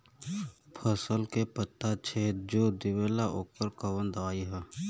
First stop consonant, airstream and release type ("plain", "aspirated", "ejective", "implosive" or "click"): aspirated